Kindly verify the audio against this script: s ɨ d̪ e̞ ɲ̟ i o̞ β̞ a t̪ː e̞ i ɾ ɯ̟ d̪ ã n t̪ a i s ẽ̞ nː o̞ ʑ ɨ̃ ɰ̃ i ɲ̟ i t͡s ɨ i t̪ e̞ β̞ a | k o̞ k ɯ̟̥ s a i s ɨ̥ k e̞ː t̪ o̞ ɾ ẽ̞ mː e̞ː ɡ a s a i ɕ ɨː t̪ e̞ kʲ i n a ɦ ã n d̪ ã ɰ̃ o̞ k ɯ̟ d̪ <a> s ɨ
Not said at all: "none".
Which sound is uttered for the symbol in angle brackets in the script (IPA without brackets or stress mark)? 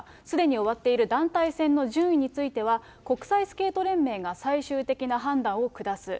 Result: a